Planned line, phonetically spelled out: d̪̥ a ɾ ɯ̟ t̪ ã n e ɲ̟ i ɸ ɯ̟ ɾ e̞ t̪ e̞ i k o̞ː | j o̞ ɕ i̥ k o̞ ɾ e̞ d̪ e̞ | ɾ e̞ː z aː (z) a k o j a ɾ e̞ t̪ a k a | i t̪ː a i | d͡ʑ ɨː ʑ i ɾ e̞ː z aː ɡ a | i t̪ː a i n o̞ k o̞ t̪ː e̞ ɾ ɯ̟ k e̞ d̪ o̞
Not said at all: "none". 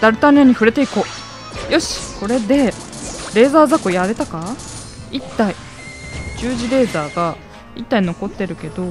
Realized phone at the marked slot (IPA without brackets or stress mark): z